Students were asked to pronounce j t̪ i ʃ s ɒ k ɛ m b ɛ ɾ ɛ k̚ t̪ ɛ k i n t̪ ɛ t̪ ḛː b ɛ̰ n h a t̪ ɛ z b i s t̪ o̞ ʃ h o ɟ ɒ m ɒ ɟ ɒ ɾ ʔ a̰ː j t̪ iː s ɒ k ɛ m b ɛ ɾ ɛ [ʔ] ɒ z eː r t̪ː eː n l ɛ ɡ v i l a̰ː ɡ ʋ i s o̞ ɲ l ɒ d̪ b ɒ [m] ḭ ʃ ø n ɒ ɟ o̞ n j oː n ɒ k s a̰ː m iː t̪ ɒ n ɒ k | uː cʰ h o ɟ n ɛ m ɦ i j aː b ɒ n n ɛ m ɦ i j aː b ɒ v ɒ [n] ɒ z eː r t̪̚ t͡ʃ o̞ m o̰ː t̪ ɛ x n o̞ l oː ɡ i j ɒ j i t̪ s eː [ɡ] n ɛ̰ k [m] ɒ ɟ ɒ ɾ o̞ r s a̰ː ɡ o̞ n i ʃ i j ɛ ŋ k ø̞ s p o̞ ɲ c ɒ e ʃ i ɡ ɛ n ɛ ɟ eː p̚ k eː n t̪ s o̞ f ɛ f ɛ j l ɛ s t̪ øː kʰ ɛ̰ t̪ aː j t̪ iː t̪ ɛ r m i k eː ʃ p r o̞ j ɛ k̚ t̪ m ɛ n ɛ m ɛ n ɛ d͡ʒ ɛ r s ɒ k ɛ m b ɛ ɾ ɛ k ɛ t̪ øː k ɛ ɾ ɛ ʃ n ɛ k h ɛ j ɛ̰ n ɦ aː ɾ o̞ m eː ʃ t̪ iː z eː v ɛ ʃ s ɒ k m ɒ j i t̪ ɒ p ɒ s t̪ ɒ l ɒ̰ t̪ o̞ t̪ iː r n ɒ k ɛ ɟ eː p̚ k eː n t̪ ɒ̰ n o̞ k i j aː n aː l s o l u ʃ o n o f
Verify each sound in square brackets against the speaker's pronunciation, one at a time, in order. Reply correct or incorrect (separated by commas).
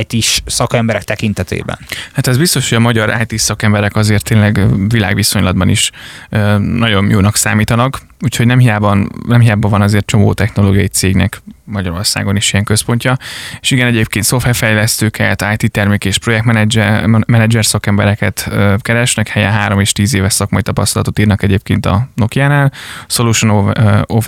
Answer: incorrect, incorrect, correct, correct, correct